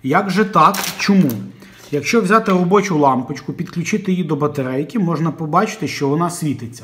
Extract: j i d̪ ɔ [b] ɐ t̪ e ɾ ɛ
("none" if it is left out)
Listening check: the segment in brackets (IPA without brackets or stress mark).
b